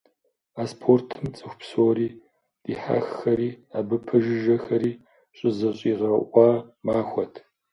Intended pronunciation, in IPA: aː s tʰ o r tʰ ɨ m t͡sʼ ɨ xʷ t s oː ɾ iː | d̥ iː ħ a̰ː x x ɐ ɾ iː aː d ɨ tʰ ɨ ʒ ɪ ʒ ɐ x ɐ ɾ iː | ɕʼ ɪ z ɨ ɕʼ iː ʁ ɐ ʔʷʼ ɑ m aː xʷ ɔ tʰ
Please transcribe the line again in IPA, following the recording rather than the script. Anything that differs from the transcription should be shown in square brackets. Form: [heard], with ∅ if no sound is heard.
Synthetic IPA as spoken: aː s [pʰ] o r tʰ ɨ m t͡sʼ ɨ xʷ [p] s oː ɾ iː | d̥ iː ħ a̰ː x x ɐ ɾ iː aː [b] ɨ [pʰ] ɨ ʒ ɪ ʒ ɐ x ɐ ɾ iː | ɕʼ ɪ z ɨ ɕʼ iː ʁ ɐ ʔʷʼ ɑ m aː xʷ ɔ tʰ